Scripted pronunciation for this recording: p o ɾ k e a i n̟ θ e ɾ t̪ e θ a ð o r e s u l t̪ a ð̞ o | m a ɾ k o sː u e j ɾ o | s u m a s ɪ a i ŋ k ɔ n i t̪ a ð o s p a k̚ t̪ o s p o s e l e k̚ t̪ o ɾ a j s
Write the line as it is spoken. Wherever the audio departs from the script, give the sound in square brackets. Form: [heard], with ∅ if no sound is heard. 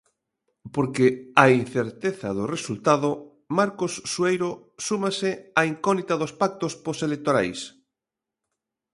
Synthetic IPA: p o ɾ k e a i n̟ θ e ɾ t̪ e θ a ð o r e s u l t̪ a ð̞ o | m a ɾ k o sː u e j ɾ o | s u m a s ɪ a i ŋ k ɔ n i t̪ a ð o s p a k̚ t̪ o s p o s e l e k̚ t̪ o ɾ a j s